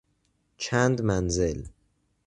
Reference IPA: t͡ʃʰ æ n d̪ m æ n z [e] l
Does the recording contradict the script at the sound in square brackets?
no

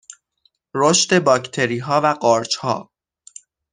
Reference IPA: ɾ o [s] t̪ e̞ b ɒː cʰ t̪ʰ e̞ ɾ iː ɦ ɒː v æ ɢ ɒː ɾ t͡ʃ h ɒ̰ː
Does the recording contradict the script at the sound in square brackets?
yes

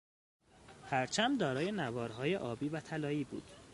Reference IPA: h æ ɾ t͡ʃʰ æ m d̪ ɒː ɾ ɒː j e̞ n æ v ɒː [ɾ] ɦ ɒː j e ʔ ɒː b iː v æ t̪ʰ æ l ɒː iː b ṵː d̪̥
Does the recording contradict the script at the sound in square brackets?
no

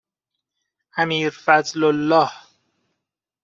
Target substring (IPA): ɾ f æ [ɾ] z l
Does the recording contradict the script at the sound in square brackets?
yes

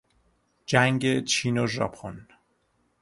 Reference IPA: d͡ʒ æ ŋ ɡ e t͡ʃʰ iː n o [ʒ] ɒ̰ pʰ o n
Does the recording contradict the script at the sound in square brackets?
no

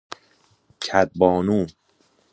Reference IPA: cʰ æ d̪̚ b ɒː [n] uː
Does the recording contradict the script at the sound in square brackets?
no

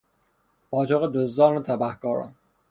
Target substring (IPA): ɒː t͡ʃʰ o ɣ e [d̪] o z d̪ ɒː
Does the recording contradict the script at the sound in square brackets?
no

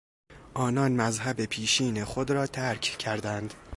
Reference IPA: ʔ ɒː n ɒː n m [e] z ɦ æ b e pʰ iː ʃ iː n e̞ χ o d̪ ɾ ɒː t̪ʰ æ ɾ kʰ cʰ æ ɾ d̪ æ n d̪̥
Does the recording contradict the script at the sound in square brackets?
yes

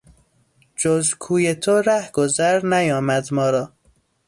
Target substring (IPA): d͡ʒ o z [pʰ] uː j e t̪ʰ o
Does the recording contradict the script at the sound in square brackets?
yes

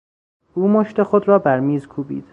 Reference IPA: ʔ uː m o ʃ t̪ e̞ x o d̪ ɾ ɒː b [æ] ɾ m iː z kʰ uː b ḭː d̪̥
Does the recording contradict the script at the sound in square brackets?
no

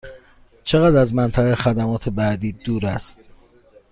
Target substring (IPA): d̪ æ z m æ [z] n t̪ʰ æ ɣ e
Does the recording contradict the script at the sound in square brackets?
yes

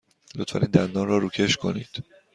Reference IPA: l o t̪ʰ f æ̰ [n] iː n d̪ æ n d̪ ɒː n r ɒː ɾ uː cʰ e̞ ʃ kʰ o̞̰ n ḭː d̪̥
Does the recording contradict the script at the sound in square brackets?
no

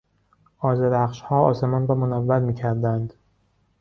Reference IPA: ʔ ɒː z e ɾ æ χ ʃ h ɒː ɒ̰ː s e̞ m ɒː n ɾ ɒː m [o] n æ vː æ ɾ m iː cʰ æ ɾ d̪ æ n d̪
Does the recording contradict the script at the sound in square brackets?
no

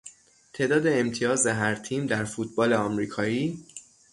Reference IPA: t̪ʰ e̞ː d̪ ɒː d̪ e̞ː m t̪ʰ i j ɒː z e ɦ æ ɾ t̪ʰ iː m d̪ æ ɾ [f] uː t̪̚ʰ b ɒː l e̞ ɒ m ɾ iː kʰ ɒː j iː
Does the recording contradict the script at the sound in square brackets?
no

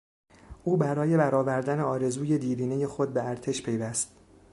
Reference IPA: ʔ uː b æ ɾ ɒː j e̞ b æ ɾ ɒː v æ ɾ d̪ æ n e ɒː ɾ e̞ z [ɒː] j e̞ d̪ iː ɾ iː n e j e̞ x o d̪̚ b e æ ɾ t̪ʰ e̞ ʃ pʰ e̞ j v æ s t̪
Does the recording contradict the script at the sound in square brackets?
yes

